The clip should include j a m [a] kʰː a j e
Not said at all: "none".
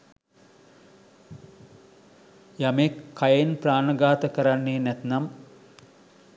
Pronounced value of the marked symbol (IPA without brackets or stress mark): e